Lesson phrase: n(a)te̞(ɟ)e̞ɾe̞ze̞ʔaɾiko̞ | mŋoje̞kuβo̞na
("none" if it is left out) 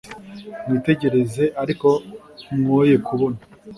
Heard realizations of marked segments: i, ɟ

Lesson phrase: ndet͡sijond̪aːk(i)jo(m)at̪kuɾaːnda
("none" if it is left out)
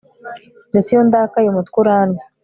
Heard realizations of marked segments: a, m

